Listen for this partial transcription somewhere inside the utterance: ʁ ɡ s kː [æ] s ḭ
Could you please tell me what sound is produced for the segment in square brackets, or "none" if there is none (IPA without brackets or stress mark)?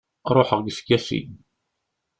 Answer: æ